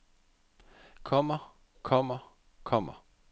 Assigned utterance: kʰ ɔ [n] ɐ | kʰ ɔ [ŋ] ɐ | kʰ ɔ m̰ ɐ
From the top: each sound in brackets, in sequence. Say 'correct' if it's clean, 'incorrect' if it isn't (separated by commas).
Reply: incorrect, incorrect